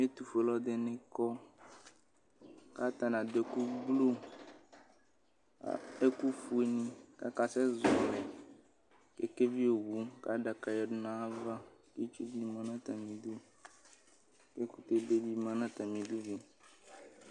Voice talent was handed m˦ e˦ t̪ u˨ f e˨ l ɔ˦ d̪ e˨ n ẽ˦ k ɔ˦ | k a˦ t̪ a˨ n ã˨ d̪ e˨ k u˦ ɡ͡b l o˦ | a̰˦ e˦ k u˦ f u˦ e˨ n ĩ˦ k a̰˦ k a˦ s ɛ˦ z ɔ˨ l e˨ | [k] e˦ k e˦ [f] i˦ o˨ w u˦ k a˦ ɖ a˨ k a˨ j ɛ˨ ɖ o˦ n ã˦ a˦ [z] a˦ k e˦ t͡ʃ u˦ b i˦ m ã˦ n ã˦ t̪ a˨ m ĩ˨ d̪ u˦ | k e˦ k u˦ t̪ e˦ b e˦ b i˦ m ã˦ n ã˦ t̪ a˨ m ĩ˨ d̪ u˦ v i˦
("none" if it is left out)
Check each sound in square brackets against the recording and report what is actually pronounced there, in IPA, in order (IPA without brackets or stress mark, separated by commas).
k, v, v